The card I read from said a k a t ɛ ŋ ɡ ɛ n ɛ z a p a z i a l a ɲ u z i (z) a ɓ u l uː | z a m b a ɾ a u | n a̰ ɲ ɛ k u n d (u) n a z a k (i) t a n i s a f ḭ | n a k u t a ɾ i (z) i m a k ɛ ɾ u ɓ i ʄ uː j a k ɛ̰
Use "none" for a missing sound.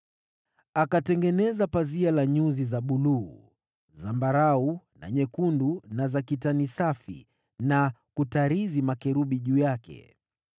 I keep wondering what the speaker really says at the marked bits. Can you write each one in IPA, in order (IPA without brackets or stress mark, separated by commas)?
z, u, i, z